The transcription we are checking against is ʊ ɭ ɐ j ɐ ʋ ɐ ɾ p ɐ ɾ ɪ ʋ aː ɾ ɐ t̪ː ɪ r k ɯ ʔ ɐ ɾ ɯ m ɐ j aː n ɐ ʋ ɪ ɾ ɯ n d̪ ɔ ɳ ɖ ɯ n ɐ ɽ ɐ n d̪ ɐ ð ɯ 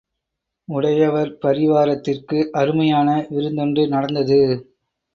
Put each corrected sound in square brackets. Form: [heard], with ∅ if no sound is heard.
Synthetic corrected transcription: ʊ [ɽ] ɐ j ɐ ʋ ɐ ɾ p ɐ ɾ ɪ ʋ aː ɾ ɐ t̪ː ɪ r k ɯ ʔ ɐ ɾ ɯ m ɐ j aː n ɐ ʋ ɪ ɾ ɯ n d̪ ɔ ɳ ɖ ɯ n ɐ ɽ ɐ n d̪ ɐ ð ɯ

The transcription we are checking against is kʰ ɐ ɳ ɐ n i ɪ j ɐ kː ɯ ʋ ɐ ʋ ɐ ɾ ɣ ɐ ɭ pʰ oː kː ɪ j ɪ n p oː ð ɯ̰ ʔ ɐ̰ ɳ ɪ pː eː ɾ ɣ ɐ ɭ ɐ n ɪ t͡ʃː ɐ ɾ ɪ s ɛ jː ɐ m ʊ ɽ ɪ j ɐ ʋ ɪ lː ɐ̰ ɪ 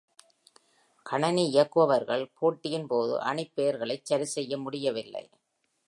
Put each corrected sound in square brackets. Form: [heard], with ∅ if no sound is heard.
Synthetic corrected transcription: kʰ ɐ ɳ ɐ n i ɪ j ɐ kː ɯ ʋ ɐ ʋ ɐ ɾ ɣ ɐ ɭ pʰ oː [ʈː] ɪ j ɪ n p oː ð ɯ̰ ʔ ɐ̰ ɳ ɪ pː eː ɾ ɣ ɐ ɭ ɐ [∅] ɪ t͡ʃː ɐ ɾ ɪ s ɛ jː ɐ m ʊ ɽ ɪ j ɐ ʋ ɪ lː ɐ̰ ɪ

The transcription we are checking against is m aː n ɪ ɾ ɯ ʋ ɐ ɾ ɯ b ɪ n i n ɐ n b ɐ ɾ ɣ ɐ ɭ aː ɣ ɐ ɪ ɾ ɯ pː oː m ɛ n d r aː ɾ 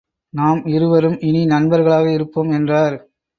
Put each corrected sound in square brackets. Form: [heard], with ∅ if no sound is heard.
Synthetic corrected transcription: [n] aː [m] ɪ ɾ ɯ ʋ ɐ ɾ ɯ [m] ɪ n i n ɐ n b ɐ ɾ ɣ ɐ ɭ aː ɣ ɐ ɪ ɾ ɯ pː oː m ɛ n d r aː ɾ

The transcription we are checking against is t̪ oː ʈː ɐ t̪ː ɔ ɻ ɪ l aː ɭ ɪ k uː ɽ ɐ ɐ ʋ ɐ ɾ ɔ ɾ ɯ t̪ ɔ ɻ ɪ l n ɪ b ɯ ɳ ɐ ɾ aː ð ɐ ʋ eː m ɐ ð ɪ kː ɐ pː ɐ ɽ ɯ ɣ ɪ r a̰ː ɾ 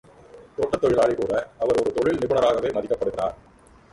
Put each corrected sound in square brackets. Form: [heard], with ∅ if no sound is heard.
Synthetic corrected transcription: t̪ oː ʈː ɐ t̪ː ɔ ɻ ɪ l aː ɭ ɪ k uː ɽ ɐ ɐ ʋ ɐ ɾ ɔ ɾ ɯ t̪ ɔ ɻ ɪ l n ɪ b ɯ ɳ ɐ ɾ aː [ɣ] ɐ ʋ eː m ɐ ð ɪ kː ɐ pː ɐ ɽ ɯ ɣ ɪ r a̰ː ɾ

